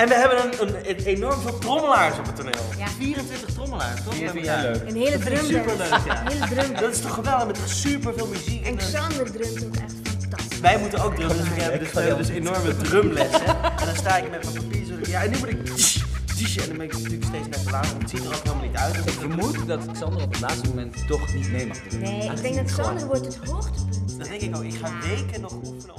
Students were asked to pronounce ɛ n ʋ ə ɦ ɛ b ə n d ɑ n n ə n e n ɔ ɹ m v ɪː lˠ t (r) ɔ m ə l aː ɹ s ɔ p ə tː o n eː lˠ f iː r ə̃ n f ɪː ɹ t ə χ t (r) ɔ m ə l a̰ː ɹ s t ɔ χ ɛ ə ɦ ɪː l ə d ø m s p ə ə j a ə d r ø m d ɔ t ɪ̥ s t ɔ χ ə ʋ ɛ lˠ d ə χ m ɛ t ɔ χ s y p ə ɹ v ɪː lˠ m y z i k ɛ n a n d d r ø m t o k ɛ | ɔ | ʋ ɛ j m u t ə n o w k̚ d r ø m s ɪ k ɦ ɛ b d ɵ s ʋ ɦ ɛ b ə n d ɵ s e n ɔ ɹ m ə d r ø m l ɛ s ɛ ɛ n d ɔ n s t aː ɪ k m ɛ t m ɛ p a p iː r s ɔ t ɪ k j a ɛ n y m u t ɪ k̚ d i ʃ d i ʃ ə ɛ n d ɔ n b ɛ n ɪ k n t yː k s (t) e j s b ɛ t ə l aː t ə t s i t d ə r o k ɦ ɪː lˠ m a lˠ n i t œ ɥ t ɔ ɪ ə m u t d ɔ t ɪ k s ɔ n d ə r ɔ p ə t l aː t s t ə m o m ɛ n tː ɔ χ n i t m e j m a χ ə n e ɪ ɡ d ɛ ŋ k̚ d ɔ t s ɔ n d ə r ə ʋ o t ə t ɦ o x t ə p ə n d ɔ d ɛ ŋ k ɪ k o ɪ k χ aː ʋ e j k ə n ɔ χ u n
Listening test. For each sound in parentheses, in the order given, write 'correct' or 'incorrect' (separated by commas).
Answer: correct, correct, correct